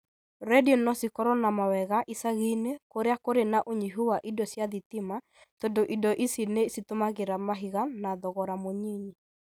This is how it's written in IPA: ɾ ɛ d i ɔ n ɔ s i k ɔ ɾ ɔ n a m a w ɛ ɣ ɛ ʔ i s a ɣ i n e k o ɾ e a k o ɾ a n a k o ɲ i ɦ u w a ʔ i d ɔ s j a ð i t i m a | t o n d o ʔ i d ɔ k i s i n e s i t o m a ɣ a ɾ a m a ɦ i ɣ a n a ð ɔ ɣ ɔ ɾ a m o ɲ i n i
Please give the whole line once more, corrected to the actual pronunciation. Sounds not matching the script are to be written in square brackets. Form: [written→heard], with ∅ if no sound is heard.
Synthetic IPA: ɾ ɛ d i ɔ n ɔ s i k ɔ ɾ ɔ n a m a w ɛ ɣ [ɛ→a] ʔ i s a ɣ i n e k o ɾ e a k o ɾ [a→e] n a [k→ʔ] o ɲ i ɦ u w a ʔ i d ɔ s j a ð i t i m a | t o n d o ʔ i d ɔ [k→ʔ] i s i n e s i t o m a ɣ [a→e] ɾ a m a ɦ i ɣ a n a ð ɔ ɣ ɔ ɾ a m o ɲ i [n→ɲ] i

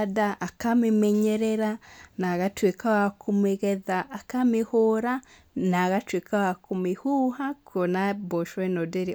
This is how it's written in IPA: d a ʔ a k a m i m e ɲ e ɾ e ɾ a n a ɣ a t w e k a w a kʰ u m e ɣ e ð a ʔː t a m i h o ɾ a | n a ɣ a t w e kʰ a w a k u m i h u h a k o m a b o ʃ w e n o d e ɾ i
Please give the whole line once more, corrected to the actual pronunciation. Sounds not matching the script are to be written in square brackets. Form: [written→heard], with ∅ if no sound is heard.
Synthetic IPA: d a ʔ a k a m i m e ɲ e ɾ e ɾ a n a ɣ a t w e k a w a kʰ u m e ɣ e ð a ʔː [t→k] a m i h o ɾ a | n a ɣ a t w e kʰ a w a k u m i h u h a k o [m→n] a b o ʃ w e n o d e ɾ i

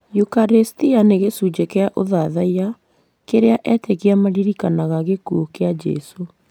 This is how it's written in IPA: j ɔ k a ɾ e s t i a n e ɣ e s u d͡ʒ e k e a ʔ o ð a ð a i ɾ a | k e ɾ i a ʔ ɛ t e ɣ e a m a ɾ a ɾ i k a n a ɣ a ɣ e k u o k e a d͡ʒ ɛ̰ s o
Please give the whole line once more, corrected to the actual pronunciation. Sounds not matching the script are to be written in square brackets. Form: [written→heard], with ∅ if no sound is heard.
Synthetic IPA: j [ɔ→u] k a ɾ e s t i a n e ɣ e s u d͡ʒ e k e a ʔ o ð a ð a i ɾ a | k e ɾ [i→e] a ʔ ɛ t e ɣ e a m a ɾ [a→i] ɾ i k a n a ɣ a ɣ e k u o k e a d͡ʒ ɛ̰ s o

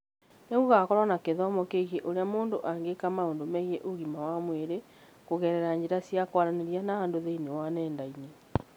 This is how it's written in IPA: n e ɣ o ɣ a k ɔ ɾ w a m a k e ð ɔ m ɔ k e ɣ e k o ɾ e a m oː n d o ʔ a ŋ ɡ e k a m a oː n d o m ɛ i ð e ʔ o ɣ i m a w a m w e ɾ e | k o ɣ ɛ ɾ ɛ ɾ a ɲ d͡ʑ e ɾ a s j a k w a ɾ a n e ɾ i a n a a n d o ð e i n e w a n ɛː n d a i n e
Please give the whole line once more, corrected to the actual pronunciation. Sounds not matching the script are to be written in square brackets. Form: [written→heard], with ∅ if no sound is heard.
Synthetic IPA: n e ɣ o ɣ a k ɔ ɾ w a [m→n] a k e ð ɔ m ɔ k e ɣ e [k→ʔ] o ɾ e a m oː n d o ʔ a ŋ ɡ e k a m a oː n d o m ɛ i [ð→ɣ] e ʔ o ɣ i m a w a m w e ɾ e | k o ɣ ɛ ɾ ɛ ɾ a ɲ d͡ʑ e ɾ a s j a k w a ɾ a n e ɾ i a n a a n d o ð e i n e w a n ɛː n d a i n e

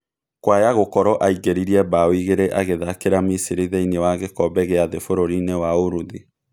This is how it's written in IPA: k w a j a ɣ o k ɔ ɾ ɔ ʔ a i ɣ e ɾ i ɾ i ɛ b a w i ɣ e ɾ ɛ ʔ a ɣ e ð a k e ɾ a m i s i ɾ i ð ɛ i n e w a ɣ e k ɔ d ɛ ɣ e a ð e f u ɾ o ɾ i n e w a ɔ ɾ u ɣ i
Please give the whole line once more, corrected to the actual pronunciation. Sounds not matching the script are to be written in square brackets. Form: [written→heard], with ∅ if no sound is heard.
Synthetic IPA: k w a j a ɣ o k ɔ ɾ ɔ ʔ a i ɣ e ɾ i ɾ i ɛ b a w i ɣ e ɾ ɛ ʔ a ɣ e ð a k e ɾ a m i s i ɾ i ð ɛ i n e w a ɣ e k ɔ [d→b] ɛ ɣ e a ð e f [u→o] ɾ o ɾ i n e w a [ɔ→o] ɾ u [ɣ→ð] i

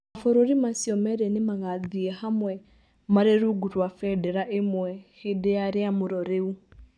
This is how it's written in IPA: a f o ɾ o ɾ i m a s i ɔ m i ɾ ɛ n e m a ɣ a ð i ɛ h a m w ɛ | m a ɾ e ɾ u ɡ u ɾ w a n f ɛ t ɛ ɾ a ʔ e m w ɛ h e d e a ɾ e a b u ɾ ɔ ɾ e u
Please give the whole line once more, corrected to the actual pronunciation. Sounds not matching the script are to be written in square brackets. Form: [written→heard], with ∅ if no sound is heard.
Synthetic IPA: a f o ɾ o ɾ i m a s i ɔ m [i→ɛ] ɾ ɛ n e m a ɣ a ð i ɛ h a m w ɛ | m a ɾ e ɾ u ɡ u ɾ w a [n→∅] f ɛ [t→d] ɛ ɾ a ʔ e m w ɛ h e d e a ɾ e a [b→m] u ɾ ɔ ɾ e u

